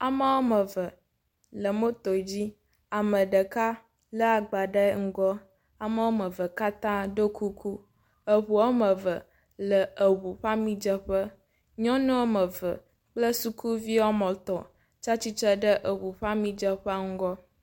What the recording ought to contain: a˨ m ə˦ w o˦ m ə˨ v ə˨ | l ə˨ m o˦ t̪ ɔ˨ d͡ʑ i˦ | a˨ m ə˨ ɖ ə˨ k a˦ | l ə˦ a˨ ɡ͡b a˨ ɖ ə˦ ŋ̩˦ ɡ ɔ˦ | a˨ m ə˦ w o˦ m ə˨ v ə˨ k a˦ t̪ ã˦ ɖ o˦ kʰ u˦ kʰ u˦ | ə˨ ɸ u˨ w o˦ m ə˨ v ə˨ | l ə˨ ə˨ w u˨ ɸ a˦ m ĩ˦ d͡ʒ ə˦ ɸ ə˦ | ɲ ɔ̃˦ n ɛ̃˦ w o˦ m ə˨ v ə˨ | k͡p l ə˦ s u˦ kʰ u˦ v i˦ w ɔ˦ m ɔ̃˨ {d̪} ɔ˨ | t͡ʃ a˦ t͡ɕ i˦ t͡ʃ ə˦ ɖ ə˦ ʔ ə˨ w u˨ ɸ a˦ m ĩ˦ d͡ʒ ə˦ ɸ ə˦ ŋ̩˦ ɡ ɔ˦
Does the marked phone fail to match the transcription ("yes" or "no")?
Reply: yes